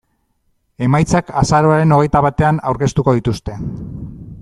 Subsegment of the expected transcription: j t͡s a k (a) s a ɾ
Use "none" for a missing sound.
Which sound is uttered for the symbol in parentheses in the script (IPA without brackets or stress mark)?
a